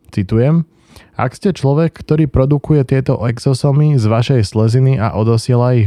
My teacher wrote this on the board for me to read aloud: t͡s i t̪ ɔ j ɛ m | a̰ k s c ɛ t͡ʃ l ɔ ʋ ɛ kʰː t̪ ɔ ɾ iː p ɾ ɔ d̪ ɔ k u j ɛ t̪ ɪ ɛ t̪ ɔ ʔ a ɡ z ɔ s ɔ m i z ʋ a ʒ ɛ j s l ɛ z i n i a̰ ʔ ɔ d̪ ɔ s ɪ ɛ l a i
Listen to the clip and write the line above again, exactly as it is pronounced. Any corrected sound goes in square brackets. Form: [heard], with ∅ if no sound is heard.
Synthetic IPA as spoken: t͡s i t̪ [u] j ɛ m | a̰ k s c ɛ t͡ʃ l ɔ ʋ ɛ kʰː t̪ ɔ ɾ iː p ɾ ɔ d̪ [u] k u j ɛ t̪ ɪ ɛ t̪ ɔ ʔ [ɛ] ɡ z ɔ s ɔ m i z ʋ a [ʃ] ɛ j s l ɛ z i n i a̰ ʔ ɔ d̪ ɔ s ɪ ɛ l a i